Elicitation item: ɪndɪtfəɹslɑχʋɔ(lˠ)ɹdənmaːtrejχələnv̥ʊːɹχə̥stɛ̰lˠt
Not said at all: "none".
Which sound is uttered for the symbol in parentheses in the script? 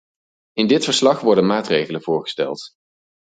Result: none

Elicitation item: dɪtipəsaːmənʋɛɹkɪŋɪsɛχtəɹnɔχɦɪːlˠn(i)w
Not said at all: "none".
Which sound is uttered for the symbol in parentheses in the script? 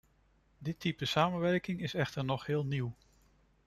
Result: i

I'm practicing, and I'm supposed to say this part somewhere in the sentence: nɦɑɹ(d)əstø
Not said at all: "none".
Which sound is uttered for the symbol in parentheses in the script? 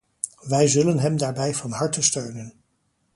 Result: t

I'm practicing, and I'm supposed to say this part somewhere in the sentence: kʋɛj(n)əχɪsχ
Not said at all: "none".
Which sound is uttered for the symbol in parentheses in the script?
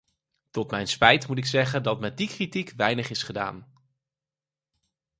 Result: n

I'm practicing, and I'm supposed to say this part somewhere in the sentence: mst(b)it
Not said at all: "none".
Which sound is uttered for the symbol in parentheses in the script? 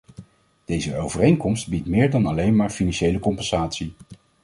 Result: b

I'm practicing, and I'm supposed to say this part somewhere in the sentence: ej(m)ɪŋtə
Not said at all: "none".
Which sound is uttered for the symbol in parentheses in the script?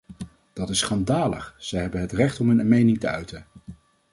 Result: n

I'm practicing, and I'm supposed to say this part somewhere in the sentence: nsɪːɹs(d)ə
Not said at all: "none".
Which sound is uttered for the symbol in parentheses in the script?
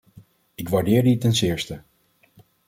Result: t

